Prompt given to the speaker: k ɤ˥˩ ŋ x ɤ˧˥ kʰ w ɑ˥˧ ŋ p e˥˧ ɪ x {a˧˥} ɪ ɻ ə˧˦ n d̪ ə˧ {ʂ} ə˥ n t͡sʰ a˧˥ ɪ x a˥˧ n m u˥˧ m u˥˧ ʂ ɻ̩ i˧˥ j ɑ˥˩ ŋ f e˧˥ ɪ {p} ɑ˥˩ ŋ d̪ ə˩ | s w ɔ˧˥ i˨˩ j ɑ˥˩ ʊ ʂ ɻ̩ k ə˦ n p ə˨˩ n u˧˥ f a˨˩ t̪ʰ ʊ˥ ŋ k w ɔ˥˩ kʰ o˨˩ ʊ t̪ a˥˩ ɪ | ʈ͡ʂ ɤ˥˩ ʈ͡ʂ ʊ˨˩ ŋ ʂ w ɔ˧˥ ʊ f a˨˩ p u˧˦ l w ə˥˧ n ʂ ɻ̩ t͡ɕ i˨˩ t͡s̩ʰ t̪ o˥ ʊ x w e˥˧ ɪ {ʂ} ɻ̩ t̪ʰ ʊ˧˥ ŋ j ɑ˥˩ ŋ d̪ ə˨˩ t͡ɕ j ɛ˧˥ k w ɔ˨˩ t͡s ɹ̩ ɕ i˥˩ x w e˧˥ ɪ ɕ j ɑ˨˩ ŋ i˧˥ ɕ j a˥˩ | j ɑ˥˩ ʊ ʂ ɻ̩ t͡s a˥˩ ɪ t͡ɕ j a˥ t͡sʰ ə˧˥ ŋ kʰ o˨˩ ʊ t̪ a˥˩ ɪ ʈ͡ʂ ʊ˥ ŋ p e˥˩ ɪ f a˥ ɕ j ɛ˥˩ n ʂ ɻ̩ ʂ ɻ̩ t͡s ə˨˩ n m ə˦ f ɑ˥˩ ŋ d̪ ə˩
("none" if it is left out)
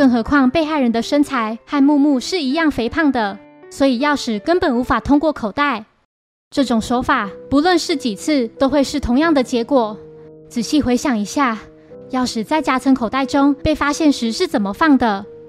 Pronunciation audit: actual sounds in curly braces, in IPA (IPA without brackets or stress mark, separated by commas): a˥˩, ʂ, pʰ, ʂ